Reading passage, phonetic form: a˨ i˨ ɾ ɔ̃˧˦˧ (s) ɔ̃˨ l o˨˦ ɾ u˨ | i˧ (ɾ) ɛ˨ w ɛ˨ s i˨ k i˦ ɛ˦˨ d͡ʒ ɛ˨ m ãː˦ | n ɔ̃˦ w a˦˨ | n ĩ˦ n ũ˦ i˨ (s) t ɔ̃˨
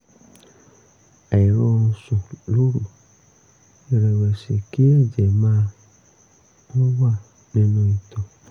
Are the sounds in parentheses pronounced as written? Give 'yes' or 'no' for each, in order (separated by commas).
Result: yes, yes, no